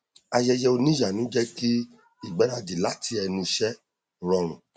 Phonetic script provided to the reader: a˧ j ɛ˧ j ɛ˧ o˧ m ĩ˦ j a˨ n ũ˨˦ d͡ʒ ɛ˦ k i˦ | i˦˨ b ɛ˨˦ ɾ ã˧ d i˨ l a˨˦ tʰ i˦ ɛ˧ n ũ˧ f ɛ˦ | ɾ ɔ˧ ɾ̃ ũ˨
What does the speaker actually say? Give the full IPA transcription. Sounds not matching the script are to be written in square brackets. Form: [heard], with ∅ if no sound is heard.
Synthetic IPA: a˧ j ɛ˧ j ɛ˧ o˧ [n] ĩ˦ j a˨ n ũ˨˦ d͡ʒ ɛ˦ k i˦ | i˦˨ [ɡ͡b] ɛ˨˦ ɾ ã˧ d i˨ l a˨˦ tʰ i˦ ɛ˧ n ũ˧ [ʃ] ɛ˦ | ɾ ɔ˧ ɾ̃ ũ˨